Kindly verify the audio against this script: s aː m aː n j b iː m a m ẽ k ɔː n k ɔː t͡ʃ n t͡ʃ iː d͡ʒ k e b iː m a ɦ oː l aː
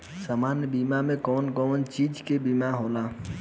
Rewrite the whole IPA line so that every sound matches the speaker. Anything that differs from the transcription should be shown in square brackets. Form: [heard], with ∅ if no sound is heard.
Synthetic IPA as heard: s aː m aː n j b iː m a m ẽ k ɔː n k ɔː [∅] n t͡ʃ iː d͡ʒ k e b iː m a ɦ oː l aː